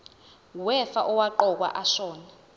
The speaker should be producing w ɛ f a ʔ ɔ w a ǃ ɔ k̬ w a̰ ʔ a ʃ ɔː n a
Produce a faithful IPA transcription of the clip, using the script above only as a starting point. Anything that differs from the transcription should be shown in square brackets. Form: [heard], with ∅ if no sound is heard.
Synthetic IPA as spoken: w ɛ f a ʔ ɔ w a ǃ ɔ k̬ w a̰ ʔ a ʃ ɔː n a